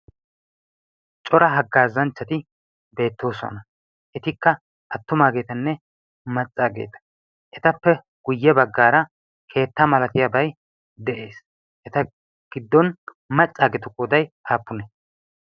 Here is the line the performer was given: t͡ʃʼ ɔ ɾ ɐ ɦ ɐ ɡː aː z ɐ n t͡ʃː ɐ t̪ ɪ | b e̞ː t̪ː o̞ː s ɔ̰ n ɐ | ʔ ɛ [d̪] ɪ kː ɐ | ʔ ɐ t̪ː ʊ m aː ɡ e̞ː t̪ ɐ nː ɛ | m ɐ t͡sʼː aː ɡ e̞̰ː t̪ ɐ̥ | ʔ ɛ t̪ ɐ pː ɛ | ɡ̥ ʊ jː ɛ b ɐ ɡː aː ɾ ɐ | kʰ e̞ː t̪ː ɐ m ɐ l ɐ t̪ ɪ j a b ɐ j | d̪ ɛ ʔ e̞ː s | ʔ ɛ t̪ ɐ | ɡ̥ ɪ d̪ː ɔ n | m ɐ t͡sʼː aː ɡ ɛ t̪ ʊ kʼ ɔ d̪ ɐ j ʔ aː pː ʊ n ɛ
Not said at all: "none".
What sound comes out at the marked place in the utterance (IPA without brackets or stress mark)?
t̪